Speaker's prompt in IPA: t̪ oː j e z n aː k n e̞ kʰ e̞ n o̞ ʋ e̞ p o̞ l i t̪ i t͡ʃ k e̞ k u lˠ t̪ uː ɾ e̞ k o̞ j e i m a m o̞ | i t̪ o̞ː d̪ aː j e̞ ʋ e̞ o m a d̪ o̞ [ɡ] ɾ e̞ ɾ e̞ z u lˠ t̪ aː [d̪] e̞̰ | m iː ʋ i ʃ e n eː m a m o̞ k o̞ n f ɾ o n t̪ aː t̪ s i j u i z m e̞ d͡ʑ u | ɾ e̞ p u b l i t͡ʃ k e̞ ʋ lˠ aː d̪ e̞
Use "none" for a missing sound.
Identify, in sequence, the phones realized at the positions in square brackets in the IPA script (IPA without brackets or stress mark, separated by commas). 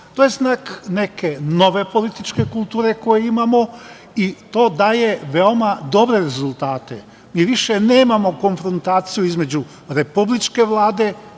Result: b, t̪